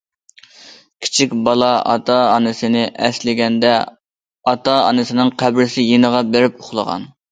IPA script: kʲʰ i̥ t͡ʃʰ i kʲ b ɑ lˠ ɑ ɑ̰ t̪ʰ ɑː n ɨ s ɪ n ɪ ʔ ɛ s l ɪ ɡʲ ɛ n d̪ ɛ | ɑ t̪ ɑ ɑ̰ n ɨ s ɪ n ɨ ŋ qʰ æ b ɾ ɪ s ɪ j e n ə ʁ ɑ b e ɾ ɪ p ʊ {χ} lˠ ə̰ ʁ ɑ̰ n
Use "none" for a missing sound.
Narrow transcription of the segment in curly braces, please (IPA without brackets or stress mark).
χ